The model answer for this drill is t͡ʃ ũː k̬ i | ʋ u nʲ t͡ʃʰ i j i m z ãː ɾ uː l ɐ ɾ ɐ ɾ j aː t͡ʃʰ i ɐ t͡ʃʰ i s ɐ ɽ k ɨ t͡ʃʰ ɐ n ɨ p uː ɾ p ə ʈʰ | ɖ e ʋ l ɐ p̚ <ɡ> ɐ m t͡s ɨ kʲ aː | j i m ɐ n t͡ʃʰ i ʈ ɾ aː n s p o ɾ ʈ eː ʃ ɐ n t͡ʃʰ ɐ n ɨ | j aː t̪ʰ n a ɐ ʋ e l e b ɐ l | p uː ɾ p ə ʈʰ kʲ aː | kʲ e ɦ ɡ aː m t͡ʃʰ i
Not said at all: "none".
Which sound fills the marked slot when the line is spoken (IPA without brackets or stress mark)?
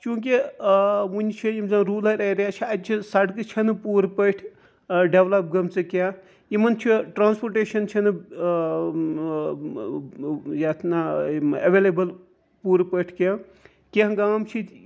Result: ɡ